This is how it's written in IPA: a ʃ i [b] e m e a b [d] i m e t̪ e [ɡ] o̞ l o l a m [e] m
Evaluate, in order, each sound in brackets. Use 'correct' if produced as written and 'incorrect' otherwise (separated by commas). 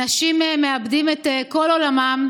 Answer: incorrect, correct, incorrect, incorrect